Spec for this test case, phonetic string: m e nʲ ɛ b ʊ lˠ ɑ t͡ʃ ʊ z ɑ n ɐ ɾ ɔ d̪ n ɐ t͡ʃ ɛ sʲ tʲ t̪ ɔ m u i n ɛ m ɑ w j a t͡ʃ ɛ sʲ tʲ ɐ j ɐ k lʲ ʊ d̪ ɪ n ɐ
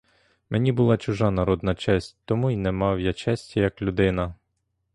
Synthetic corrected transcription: m e nʲ i b ʊ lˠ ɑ t͡ʃ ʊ ʒ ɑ n ɐ ɾ ɔ d̪ n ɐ t͡ʃ ɛ sʲ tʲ t̪ ɔ m u i n ɛ m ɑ w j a t͡ʃ ɛ sʲ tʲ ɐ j ɐ k lʲ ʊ d̪ ɪ n ɐ